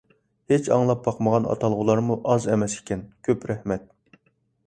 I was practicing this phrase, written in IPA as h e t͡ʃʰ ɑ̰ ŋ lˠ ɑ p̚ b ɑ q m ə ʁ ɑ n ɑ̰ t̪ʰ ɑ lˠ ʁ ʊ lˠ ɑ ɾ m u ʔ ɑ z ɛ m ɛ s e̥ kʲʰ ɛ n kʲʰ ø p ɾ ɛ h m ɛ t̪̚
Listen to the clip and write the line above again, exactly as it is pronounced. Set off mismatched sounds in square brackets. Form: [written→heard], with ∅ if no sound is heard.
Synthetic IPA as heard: h e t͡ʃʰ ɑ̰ ŋ lˠ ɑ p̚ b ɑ q m ə ʁ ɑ n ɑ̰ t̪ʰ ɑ lˠ ʁ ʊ lˠ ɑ ɾ m u ʔ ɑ z ɛ m ɛ s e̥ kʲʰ ɛ n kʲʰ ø p ɾ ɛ h m ɛ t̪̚